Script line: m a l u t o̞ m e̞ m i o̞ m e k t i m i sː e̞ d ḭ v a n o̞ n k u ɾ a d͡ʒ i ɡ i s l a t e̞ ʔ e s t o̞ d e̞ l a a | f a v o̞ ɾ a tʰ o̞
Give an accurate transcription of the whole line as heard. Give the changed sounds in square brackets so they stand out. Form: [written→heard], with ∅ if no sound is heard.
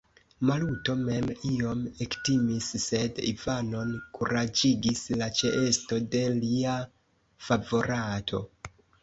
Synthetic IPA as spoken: m a l u t o̞ m e̞ m i o̞ m e k t i m i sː e̞ d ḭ v a n o̞ n k u ɾ a d͡ʒ i ɡ i s l a [t→t͡ʃ] e̞ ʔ e s t o̞ d e̞ l [a→i] a | f a v o̞ ɾ a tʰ o̞